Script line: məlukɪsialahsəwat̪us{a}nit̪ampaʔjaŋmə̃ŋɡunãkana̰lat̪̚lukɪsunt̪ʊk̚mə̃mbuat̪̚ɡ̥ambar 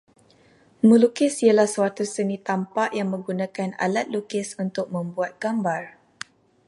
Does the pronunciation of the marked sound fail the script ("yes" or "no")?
yes